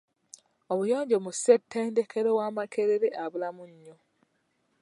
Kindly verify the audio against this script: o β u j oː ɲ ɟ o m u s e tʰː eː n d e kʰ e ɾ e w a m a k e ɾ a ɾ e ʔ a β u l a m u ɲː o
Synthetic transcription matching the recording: o β u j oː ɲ ɟ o m u s e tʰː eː n d e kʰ e ɾ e w a m a k e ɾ e ɾ e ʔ a β u l a m u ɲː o